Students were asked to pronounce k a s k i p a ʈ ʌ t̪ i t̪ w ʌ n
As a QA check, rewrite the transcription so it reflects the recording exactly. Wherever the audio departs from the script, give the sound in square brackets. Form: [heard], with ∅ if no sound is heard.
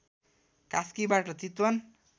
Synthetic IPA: k a s k i [b] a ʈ ʌ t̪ i t̪ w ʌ n